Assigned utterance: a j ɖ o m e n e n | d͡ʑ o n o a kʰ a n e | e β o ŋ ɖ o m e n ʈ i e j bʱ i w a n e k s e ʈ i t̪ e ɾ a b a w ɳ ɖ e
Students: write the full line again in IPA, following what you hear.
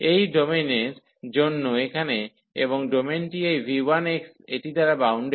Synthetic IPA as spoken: e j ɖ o m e n e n | d͡ʑ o nː o e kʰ a n e | e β o ŋ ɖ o m e n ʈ i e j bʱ i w a n e k s e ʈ i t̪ a ɾ a b a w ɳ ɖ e